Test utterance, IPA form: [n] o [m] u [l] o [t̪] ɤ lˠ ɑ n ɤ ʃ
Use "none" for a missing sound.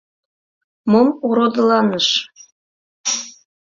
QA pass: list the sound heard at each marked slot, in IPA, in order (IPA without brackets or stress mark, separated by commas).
m, m, ɾ, d̪